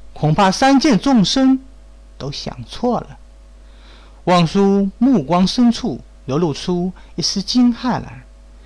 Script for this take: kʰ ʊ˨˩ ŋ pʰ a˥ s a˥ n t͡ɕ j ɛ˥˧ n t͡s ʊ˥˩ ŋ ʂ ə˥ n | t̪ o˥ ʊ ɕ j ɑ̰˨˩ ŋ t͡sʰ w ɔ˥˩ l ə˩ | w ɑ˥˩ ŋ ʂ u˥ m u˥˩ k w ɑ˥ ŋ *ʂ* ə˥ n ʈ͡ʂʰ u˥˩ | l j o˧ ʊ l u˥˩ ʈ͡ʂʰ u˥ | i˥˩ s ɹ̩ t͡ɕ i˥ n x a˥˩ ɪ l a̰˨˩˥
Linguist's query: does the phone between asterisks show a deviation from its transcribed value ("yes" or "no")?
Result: no